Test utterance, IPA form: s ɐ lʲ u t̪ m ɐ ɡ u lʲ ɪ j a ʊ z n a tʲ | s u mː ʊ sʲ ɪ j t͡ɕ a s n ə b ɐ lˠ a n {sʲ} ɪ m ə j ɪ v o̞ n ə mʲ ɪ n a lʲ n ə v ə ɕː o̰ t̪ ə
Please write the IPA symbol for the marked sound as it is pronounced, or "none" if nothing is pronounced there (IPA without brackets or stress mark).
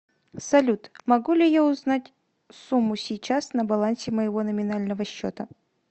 sʲ